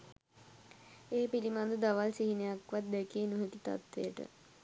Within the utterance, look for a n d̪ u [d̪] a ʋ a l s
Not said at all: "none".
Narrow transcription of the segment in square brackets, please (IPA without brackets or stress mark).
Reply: d̪